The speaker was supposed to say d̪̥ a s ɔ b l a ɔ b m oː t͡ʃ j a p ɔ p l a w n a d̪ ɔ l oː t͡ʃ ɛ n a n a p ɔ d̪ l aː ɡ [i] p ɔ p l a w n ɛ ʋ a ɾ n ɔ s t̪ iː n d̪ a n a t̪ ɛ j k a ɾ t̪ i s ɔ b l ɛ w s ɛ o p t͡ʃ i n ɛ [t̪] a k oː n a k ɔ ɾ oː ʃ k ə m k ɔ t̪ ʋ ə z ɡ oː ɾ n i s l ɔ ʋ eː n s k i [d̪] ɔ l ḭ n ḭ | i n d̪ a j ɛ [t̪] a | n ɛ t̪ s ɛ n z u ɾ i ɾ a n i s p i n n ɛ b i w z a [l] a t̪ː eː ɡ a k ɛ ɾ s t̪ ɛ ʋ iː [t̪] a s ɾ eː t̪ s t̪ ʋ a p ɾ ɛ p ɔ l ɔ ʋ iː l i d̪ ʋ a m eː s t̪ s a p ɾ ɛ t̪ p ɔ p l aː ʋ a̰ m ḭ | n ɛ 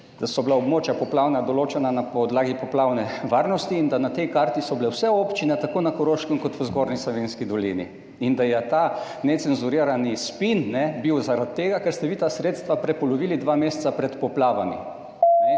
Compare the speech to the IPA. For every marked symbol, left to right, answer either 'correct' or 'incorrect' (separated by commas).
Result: correct, correct, correct, correct, incorrect, correct